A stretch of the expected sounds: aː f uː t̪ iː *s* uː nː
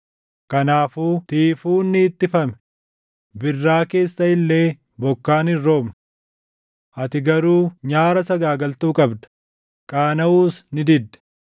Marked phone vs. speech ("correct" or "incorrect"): incorrect